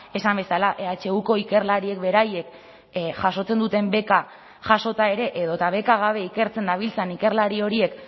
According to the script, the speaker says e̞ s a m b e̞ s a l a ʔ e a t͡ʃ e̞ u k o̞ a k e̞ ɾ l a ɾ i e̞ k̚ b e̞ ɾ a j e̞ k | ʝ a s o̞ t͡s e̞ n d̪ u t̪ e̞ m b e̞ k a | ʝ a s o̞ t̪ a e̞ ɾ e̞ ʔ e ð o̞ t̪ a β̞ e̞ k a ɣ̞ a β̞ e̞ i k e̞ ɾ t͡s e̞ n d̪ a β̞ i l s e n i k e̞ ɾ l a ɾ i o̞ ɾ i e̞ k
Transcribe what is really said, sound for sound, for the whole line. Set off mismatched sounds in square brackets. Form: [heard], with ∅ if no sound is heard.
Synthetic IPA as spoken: e̞ s a m b e̞ s a l a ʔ e a t͡ʃ e̞ u k o̞ [i] k e̞ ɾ l a ɾ i e̞ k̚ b e̞ ɾ a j e̞ k | ʝ a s o̞ t͡s e̞ n d̪ u t̪ e̞ m b e̞ k a | ʝ a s o̞ t̪ a e̞ ɾ e̞ ʔ e ð o̞ t̪ a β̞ e̞ k a ɣ̞ a β̞ e̞ i k e̞ ɾ t͡s e̞ n d̪ a β̞ i l [t͡s] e n i k e̞ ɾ l a ɾ i o̞ ɾ i e̞ k